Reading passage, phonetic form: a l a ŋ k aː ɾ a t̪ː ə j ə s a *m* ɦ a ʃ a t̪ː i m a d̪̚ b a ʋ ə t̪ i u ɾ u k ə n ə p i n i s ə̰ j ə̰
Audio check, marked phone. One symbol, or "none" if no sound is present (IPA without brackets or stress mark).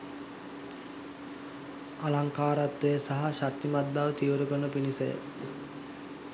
none